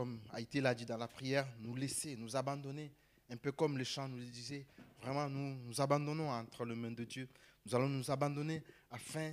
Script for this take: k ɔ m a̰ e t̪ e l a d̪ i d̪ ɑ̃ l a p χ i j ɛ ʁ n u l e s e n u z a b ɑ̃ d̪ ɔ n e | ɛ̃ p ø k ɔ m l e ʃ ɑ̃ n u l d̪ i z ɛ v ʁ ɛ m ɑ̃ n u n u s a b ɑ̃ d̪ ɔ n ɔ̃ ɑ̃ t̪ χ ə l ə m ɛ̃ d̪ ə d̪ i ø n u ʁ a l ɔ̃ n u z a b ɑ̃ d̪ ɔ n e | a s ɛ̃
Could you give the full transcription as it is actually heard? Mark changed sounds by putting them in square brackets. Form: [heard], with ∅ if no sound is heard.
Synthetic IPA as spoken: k ɔ m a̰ e t̪ e l a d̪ i d̪ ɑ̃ l a p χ i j ɛ ʁ n u l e s e n u z a b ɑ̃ d̪ ɔ n e | ɛ̃ p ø k ɔ m l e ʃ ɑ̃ n u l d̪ i z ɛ v ʁ ɛ m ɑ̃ n u n u [z] a b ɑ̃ d̪ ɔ n ɔ̃ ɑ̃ t̪ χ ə l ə m ɛ̃ d̪ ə d̪ [j] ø n u [z] a l ɔ̃ n u z a b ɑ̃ d̪ ɔ n e | a [f] ɛ̃